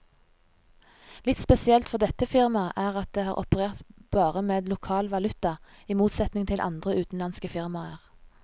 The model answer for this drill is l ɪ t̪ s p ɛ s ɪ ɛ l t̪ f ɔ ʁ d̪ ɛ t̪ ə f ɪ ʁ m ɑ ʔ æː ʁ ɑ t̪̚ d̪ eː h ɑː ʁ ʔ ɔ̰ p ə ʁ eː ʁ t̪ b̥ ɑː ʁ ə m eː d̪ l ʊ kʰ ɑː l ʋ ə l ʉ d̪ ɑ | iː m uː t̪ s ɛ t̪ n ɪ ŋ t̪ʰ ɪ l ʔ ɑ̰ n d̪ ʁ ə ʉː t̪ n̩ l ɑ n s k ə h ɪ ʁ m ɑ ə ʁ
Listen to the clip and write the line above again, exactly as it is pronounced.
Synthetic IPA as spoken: l ɪ t̪ s p ɛ s ɪ ɛ l t̪ f ɔ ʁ d̪ ɛ t̪ ə f ɪ ʁ m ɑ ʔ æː ʁ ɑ t̪̚ d̪ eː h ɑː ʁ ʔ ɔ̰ p ə ʁ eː ʁ t̪ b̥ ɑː ʁ ə m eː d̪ l ʊ kʰ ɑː l ʋ ɑ l ʉ t̪ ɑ | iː m uː t̪ s ɛ t̪ n ɪ ŋ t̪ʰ ɪ l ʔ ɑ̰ n d̪ ʁ ə ʉː t̪ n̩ l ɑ n s k ə f ɪ ʁ m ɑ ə ʁ